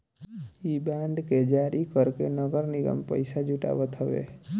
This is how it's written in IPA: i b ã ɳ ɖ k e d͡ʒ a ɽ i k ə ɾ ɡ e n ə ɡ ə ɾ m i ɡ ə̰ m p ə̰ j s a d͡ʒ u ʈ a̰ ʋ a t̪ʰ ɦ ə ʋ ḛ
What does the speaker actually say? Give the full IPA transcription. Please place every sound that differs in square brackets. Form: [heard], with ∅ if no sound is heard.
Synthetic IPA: i b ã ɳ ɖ k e d͡ʒ a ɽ i k ə ɾ [k] e n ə ɡ ə ɾ [n] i ɡ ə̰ m p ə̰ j s a d͡ʒ u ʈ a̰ ʋ [ə] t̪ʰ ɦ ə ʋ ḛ